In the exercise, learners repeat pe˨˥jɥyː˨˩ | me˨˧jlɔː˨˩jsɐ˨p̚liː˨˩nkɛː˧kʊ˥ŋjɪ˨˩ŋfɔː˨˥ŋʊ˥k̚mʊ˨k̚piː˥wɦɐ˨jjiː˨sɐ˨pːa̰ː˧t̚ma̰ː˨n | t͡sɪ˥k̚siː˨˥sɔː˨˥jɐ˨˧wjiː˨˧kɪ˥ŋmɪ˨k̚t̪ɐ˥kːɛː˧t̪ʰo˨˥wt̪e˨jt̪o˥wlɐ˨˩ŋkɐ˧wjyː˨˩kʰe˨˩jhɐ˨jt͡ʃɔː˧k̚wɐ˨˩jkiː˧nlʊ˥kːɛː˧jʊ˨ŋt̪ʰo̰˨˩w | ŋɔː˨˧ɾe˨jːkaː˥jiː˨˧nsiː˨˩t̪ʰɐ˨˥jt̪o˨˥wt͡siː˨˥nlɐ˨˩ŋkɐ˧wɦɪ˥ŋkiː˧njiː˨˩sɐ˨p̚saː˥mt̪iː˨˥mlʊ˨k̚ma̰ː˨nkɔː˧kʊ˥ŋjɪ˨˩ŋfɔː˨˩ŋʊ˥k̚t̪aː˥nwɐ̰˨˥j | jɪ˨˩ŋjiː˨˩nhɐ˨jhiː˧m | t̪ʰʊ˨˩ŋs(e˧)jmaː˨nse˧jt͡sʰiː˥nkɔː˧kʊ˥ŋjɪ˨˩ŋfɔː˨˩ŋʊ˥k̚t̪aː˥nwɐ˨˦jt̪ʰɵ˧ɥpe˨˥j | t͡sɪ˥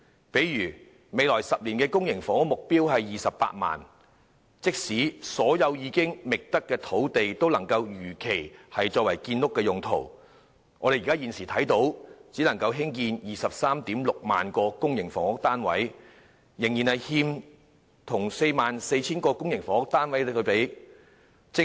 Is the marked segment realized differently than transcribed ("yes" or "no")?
no